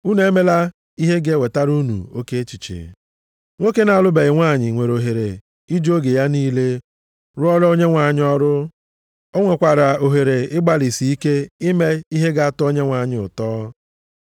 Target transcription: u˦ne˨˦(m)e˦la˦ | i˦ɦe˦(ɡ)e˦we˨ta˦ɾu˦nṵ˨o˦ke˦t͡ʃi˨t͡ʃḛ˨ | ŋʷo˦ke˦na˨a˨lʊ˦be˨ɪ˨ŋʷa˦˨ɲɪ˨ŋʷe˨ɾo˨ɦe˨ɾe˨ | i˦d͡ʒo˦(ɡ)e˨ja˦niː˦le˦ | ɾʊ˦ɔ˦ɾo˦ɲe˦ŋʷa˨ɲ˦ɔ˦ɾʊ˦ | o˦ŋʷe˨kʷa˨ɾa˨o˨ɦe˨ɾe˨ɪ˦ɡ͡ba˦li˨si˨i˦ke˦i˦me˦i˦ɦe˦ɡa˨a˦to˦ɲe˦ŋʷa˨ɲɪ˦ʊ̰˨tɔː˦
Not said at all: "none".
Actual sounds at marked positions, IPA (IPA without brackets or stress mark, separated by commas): m, ɡ, ɡ